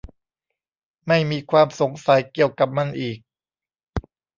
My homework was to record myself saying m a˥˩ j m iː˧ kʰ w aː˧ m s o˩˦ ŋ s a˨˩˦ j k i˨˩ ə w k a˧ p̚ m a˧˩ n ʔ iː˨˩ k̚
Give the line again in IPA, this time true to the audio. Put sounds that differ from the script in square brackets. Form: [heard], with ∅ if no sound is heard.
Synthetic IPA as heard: m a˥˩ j m iː˧ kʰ w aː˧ m s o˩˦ ŋ s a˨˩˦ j k i˨˩ ə w k [a˨˩] p̚ m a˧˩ n ʔ iː˨˩ k̚